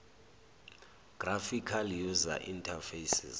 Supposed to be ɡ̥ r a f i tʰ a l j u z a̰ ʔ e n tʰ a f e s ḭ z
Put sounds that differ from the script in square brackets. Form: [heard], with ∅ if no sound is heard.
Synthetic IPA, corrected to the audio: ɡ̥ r a f i [kʰ] a l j u z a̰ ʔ [i] n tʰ a f e s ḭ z